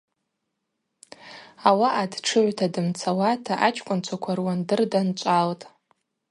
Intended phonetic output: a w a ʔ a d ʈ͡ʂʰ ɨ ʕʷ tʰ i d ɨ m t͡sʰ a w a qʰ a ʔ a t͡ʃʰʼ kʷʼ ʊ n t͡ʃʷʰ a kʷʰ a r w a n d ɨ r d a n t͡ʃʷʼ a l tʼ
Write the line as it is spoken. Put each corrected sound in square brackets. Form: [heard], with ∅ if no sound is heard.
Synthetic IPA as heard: a w a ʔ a d ʈ͡ʂʰ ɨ ʕʷ tʰ [a] d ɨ m t͡sʰ a w a [tʰ] a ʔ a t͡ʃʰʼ kʷʼ ʊ n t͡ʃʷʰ a kʷʰ a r w a n d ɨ r d a n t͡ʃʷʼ a l tʼ